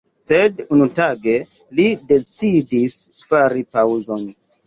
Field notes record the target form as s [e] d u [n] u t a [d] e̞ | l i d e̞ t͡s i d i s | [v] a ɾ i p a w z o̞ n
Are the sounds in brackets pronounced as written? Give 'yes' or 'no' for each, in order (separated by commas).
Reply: yes, yes, no, no